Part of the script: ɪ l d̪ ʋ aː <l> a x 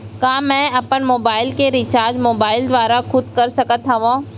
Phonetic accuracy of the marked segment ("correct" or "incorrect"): incorrect